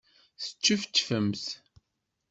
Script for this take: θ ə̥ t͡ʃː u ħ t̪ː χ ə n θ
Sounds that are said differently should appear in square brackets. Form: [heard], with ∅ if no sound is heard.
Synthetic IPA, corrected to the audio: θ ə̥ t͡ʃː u [f] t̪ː [f] ə [m] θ